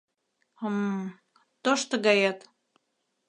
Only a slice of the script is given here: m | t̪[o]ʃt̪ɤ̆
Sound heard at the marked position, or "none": o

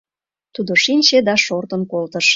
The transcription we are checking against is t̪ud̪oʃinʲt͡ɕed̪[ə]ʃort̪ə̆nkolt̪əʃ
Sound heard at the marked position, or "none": ɑ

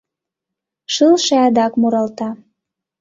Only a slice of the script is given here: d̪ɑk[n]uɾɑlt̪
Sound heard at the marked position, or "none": m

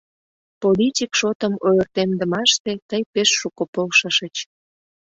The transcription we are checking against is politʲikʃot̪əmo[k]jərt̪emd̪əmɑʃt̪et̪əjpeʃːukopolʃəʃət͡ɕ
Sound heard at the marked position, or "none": none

